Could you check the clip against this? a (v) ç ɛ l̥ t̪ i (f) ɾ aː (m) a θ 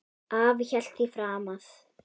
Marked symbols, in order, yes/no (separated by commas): yes, yes, yes